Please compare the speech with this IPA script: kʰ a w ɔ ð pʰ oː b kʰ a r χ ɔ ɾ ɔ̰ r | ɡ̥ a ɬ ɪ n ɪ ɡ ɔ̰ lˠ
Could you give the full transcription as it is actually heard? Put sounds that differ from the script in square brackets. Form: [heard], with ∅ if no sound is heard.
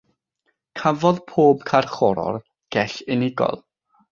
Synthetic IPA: kʰ a [v] ɔ ð pʰ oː b kʰ a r χ ɔ ɾ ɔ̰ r | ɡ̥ [ɛ] ɬ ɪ n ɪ ɡ ɔ̰ lˠ